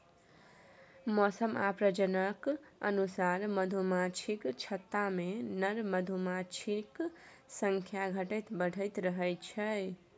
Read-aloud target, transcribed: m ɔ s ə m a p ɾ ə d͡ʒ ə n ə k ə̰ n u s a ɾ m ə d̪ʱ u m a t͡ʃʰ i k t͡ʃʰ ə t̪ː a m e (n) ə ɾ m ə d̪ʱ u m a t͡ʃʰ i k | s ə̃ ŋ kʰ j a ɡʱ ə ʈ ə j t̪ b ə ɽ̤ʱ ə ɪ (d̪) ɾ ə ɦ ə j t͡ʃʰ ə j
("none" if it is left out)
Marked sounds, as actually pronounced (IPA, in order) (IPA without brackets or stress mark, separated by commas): n, t̪